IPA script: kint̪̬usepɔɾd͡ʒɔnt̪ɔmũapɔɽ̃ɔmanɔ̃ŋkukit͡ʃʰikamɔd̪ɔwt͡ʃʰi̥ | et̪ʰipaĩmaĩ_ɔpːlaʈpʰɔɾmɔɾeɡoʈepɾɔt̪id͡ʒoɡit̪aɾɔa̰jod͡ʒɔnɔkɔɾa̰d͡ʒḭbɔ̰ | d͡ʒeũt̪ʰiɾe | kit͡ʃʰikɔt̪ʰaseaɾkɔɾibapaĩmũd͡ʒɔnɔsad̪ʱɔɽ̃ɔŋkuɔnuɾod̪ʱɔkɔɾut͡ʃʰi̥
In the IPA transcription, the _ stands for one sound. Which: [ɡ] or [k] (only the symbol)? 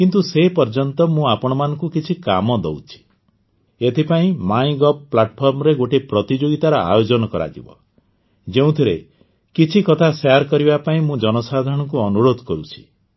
ɡ